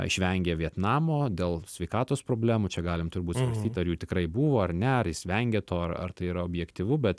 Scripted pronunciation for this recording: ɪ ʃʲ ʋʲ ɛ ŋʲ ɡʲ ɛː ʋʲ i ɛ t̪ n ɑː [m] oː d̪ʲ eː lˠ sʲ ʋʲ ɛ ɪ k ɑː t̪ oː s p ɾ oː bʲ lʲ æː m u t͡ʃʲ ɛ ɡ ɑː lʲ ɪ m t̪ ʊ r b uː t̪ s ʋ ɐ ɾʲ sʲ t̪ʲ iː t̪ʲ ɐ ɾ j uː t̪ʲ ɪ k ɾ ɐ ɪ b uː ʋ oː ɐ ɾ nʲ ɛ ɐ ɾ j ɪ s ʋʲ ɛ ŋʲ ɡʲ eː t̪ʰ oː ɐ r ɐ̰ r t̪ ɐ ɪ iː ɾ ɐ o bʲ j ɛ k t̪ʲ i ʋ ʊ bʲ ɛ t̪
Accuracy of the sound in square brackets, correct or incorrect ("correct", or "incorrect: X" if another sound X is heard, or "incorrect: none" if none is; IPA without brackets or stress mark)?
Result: correct